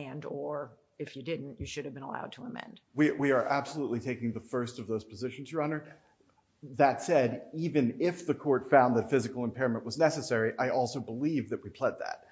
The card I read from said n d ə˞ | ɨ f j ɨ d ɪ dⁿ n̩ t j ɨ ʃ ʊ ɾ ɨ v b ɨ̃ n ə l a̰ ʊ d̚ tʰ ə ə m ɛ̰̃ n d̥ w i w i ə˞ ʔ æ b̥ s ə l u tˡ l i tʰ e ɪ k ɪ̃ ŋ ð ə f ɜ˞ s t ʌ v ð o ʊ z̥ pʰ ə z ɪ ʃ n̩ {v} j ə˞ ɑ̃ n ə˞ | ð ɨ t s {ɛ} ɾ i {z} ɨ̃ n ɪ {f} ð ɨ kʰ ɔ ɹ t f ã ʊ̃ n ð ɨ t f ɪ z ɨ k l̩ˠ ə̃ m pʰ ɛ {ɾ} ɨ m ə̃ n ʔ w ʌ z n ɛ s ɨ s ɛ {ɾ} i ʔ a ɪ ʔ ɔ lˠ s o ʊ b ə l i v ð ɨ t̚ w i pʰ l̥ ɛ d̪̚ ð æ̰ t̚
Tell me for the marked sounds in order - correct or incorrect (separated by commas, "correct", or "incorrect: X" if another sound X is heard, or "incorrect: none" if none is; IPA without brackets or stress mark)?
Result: incorrect: z, correct, incorrect: v, correct, incorrect: ɹ, incorrect: ɹ